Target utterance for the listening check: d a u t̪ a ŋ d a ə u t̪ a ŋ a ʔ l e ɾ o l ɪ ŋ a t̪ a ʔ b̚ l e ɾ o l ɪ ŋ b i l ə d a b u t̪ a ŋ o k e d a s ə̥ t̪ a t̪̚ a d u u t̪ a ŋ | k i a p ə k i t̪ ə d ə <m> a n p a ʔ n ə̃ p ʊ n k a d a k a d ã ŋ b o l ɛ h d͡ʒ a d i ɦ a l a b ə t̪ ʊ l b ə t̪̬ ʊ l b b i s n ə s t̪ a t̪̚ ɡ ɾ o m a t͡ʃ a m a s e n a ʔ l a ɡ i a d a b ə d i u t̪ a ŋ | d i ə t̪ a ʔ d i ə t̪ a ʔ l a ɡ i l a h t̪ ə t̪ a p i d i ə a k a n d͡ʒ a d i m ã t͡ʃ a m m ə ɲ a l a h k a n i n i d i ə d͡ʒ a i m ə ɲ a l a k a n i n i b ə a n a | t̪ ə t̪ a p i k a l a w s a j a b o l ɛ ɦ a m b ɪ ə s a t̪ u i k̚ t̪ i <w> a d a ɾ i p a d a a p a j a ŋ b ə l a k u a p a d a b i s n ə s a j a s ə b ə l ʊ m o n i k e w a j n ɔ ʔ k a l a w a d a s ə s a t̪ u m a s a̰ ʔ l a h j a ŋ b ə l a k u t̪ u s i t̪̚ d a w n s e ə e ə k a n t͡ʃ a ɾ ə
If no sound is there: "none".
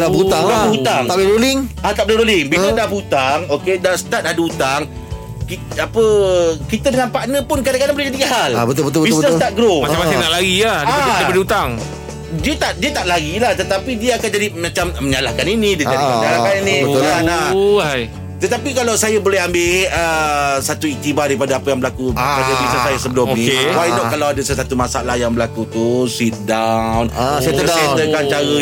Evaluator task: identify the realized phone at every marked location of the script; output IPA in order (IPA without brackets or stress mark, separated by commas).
ŋ, b